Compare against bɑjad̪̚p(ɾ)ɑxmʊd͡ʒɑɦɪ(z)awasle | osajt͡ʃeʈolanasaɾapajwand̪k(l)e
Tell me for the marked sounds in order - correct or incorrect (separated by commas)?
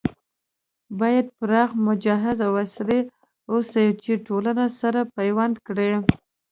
correct, correct, incorrect